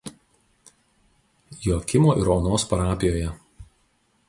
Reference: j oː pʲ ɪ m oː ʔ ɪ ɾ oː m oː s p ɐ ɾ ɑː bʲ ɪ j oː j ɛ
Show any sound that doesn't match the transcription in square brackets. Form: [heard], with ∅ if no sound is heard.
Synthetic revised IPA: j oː [kʲ] ɪ m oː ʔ ɪ ɾ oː [n] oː s p ɐ ɾ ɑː [pʲ] ɪ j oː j ɛ